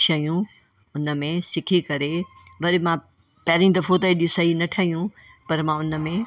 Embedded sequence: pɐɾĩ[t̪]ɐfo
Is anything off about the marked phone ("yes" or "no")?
yes